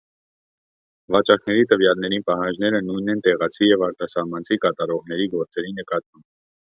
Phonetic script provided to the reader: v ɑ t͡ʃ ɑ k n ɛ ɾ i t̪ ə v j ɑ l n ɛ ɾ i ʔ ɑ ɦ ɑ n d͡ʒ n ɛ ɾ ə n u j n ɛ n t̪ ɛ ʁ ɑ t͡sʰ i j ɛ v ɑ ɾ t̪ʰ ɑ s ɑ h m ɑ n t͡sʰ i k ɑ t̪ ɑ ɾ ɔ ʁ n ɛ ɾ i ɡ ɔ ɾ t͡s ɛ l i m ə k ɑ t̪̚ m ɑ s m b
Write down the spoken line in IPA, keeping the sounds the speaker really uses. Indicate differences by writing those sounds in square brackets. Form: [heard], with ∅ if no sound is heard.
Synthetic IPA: v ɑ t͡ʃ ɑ k n ɛ ɾ i t̪ ə v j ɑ l n ɛ ɾ i [p] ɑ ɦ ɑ n d͡ʒ n ɛ ɾ ə n u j n ɛ n t̪ ɛ ʁ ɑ t͡sʰ i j ɛ v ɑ ɾ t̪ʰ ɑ s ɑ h m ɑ n t͡sʰ i k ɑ t̪ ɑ ɾ ɔ ʁ n ɛ ɾ i ɡ ɔ ɾ t͡s ɛ [ɾ] i [n] ə k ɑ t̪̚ m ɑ [∅] m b

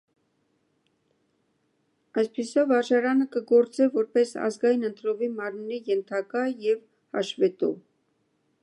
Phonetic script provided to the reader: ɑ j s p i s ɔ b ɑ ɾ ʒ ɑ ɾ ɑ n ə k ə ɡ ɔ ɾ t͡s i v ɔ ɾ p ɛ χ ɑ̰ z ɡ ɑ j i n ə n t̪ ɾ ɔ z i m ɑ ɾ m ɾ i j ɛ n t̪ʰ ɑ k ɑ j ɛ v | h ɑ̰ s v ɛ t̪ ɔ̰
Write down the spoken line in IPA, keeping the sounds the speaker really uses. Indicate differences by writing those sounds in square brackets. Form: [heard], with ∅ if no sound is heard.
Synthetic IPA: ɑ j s p i s ɔ [v] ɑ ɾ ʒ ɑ ɾ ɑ n ə k ə ɡ ɔ ɾ t͡s [ɛ] v ɔ ɾ p ɛ [s] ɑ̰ z ɡ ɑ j i n ə n t̪ ɾ ɔ [v] i m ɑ ɾ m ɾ i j ɛ n t̪ʰ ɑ k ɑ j ɛ v | h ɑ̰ [ʃ] v ɛ t̪ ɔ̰

